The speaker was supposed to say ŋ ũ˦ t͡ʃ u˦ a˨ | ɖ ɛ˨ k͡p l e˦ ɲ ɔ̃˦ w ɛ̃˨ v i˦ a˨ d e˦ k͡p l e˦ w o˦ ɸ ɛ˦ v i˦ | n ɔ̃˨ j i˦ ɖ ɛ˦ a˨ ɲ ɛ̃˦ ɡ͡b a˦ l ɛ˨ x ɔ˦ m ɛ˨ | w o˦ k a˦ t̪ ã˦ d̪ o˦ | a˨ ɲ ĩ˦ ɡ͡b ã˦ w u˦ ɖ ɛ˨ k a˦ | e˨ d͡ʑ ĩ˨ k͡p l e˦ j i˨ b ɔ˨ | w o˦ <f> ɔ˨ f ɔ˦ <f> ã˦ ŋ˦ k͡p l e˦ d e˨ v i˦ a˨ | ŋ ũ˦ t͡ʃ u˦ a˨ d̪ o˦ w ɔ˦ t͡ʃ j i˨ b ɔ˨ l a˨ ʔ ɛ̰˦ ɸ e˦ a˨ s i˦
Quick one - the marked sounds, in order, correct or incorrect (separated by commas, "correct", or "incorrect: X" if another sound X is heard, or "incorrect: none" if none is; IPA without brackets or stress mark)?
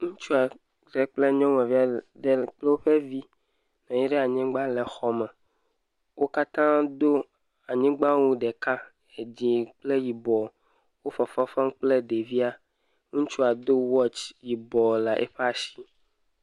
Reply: correct, correct